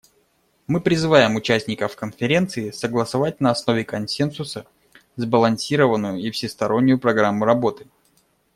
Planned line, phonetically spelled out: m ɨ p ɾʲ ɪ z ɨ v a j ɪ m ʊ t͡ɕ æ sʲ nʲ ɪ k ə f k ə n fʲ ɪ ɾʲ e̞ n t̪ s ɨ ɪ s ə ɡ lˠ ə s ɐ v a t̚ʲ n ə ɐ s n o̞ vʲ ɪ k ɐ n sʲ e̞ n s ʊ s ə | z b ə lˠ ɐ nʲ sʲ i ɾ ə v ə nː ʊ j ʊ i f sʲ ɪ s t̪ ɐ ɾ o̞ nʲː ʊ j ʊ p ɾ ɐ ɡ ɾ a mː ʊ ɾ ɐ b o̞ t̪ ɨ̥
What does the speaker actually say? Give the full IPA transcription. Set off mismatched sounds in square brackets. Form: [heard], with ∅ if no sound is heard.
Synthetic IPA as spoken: m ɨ p ɾʲ ɪ z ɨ v a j ɪ m ʊ t͡ɕ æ sʲ nʲ ɪ k ə f k ə n fʲ ɪ ɾʲ e̞ n t̪ s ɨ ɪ s ə ɡ lˠ ə s ɐ v a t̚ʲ n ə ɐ s n o̞ vʲ ɪ k ɐ n sʲ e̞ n s ʊ s ə | z b ə lˠ ɐ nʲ sʲ i ɾ ə v ə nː ʊ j ʊ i f sʲ ɪ s t̪ ɐ ɾ o̞ nʲː ʊ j ʊ p ɾ ɐ ɡ ɾ a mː ʊ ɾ ɐ b o̞ t̪ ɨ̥